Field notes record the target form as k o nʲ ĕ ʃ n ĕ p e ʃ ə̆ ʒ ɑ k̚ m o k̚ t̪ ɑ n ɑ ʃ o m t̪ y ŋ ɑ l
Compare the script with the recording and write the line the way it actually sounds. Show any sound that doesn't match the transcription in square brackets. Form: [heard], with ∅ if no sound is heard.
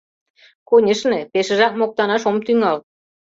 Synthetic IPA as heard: k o nʲ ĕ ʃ n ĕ p e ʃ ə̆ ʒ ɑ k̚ m o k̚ t̪ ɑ n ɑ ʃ o m t̪ y ŋ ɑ l